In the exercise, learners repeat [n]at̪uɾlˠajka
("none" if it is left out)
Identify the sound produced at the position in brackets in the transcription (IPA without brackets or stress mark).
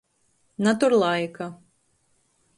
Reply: n